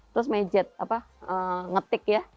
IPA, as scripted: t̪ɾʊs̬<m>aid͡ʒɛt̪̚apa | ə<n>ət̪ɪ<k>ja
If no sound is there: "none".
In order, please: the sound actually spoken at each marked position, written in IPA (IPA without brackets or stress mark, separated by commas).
m, ŋ, k